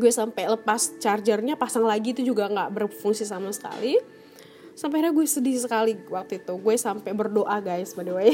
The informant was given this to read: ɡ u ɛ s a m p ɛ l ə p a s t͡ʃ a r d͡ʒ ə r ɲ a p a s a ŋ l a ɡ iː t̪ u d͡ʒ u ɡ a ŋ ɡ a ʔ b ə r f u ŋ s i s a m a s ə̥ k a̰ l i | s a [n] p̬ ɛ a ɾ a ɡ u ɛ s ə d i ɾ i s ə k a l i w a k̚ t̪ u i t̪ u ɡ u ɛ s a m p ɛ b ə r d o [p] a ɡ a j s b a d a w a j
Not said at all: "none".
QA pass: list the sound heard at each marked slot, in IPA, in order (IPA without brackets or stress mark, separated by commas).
m, ʔ